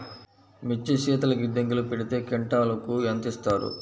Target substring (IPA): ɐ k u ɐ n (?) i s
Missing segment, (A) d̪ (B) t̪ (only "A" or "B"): B